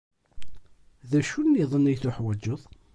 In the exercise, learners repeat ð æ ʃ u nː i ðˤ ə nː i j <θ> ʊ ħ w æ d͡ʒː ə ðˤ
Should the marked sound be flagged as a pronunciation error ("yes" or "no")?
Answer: no